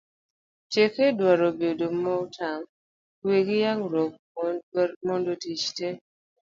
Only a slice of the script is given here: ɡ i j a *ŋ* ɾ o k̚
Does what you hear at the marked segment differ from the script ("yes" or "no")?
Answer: no